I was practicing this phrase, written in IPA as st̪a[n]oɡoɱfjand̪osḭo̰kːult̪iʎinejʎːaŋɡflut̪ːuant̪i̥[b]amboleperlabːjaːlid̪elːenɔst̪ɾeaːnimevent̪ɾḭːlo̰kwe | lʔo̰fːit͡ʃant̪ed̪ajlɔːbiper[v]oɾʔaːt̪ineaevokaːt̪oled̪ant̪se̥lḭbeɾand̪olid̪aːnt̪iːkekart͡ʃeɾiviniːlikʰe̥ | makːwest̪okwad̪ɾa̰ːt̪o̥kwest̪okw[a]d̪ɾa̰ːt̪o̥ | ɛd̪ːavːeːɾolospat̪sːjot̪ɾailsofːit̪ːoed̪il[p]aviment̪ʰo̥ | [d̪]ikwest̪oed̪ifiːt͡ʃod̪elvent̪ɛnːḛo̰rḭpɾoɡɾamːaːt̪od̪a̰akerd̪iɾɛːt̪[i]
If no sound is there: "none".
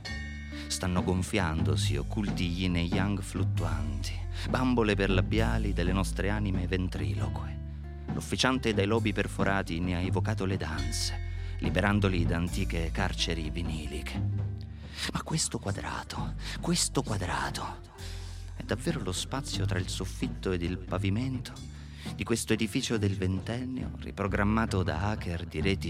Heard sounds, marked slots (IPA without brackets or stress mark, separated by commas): nː, b, f, a, p, d̪, i